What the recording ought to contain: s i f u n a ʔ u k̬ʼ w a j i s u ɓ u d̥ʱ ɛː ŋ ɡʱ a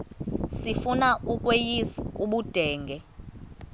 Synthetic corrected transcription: s i f u n a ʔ u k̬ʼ w e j i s u ɓ u d̥ʱ ɛː ŋ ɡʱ ɛ